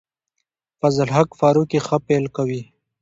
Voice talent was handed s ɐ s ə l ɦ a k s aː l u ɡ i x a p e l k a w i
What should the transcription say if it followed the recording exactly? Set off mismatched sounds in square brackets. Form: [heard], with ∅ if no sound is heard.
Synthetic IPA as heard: [f] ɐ [z] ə l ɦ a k [f] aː [ɾ] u [k] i x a p e l k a w i

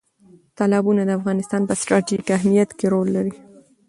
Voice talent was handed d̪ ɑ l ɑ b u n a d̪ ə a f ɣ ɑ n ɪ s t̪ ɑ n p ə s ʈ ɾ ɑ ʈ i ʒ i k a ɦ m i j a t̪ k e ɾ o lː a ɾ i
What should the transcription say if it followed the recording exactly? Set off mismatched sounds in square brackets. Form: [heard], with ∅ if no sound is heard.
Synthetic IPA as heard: [t̪] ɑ l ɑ b u n a d̪ ə a f ɣ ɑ n ɪ s t̪ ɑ n p ə s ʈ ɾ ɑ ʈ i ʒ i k a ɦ m i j a t̪ k e ɾ o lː a ɾ i

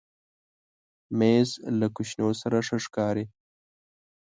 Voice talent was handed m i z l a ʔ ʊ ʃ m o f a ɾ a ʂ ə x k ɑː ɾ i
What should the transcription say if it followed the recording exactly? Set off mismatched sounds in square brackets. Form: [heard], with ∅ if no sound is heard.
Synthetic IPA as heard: m [e] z l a [k] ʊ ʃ [n] o [s] a ɾ a ʂ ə [ʂ] k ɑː ɾ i

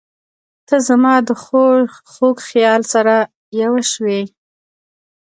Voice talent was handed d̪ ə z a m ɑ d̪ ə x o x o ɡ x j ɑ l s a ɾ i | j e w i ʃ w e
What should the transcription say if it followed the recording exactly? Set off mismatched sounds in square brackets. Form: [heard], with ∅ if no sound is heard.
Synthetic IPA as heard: [t̪] ə z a m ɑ d̪ ə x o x o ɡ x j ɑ l s a ɾ [a] | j [a] w [a] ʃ w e

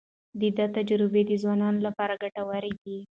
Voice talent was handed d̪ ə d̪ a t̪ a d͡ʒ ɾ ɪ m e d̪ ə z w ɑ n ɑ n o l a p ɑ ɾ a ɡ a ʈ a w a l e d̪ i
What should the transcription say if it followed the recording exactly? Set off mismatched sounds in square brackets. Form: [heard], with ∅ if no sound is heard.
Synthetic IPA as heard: d̪ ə d̪ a t̪ a d͡ʒ ɾ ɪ [b] e d̪ ə z w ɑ n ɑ n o l a p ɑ ɾ a ɡ a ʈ a w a [ɾ] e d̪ i

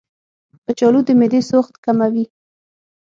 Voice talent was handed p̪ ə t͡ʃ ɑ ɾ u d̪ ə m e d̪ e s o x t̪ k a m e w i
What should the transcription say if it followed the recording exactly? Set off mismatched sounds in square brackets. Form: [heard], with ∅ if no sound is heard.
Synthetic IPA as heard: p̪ ə t͡ʃ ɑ [l] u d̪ ə m e d̪ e s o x t̪ k a m [a] w i

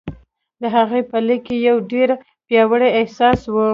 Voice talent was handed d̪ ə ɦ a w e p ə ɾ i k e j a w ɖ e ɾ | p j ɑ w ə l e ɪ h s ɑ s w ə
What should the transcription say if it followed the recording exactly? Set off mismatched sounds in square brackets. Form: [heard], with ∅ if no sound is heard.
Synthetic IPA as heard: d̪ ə ɦ a [ɣ] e p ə [l] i k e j a w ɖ e ɾ | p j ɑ w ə [ɽ] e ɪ h s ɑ s w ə

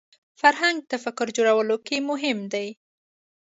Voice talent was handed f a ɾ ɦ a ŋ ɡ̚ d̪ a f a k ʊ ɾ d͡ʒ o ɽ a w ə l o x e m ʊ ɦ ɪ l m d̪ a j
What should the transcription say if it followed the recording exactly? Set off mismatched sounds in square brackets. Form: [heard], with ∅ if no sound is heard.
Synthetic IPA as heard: f a ɾ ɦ a ŋ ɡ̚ [t̪] a f a k ʊ ɾ d͡ʒ o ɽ a w ə l o [k] e m ʊ ɦ ɪ [∅] m d̪ a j

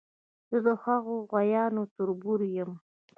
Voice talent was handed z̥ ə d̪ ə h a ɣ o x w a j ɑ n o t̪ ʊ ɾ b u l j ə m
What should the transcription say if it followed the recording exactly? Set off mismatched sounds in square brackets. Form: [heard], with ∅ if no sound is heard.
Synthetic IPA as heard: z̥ ə d̪ ə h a ɣ o [ɣ] w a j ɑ n o t̪ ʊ ɾ b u [ɾ] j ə m

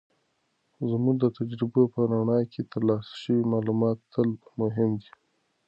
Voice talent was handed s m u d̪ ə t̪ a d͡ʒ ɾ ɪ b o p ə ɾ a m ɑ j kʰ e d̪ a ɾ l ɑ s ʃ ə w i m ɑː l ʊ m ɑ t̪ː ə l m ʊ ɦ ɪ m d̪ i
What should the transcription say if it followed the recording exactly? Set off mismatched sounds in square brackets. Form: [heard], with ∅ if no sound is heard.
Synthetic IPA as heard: [z] m u d̪ ə t̪ a d͡ʒ ɾ ɪ b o p ə ɾ a [ɳ] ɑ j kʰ e [t̪] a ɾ l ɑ s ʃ ə w i m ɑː l [u] m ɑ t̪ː ə l m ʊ ɦ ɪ m d̪ i

